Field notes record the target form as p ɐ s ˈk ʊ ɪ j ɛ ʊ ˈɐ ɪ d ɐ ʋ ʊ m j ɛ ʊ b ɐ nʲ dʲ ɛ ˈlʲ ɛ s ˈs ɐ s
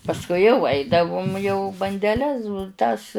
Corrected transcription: p ɐ s ˈk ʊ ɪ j ɛ ʊ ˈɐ ɪ d ɐ ʋ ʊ m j ɛ ʊ b ɐ nʲ dʲ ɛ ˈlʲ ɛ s ˈt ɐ s